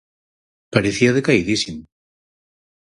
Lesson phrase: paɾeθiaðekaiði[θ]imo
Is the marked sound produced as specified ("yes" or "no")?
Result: no